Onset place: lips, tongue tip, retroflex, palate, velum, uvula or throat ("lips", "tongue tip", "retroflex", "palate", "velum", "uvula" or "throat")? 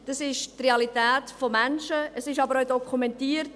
tongue tip